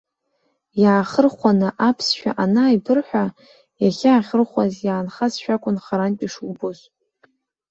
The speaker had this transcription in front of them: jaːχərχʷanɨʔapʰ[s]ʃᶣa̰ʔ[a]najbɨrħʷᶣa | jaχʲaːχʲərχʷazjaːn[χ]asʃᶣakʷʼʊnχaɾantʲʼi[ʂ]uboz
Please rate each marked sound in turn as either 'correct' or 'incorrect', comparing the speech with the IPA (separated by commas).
correct, correct, correct, correct